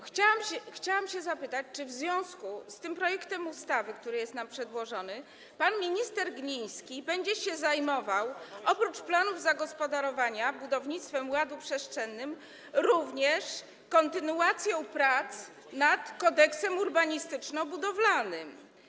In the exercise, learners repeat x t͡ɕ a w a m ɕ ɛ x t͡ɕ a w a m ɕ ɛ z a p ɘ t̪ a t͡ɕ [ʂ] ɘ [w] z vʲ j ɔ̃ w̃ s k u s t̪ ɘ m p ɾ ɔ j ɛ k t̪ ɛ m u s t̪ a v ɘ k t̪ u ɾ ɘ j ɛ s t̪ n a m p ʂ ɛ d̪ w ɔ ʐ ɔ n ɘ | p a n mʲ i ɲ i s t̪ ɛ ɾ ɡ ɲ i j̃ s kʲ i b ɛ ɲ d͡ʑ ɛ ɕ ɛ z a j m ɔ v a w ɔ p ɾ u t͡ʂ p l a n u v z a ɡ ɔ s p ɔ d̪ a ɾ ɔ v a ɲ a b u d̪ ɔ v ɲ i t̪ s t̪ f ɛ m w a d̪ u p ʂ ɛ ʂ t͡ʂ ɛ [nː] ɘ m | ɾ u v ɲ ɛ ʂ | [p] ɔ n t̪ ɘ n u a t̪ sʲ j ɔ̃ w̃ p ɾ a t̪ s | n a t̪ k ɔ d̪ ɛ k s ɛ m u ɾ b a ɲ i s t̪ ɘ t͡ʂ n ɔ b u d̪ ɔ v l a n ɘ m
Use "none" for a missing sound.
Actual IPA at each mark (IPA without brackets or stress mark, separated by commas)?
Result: t͡ʂ, v, nː, k